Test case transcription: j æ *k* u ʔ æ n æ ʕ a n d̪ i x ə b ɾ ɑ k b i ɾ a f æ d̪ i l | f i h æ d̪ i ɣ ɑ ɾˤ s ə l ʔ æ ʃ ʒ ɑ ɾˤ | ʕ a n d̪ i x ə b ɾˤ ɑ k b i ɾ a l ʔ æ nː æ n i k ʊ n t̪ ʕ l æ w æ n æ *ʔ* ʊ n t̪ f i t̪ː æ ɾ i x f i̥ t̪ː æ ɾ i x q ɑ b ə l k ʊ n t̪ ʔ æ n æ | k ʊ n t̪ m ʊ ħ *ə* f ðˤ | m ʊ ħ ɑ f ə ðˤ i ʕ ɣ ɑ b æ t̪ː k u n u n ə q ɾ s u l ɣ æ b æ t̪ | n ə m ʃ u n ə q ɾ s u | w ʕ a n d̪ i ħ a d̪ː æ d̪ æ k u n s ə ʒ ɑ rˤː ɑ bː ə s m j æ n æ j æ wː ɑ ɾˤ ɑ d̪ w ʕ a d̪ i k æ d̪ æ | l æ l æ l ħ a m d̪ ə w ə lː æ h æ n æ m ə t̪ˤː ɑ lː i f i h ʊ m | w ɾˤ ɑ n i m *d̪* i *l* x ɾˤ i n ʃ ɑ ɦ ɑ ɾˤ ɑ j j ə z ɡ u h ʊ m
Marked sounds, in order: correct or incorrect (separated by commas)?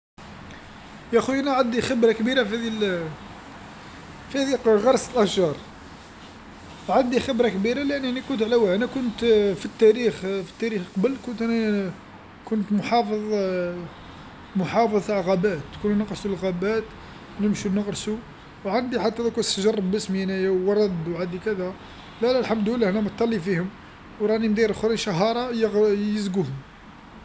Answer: incorrect, incorrect, incorrect, correct, incorrect